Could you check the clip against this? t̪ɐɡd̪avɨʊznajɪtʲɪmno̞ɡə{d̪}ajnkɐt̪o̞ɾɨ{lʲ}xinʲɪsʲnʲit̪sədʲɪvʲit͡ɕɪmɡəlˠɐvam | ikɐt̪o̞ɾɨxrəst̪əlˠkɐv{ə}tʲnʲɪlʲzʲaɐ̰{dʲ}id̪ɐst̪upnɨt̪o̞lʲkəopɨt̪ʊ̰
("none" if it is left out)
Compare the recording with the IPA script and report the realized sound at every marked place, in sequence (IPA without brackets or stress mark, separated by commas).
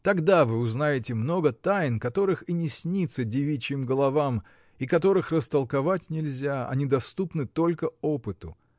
t̪, none, a, nʲ